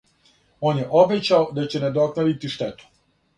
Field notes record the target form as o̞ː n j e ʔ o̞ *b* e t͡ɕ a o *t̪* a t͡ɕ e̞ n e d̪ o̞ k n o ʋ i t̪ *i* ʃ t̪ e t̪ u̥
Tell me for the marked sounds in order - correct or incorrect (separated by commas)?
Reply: correct, incorrect, correct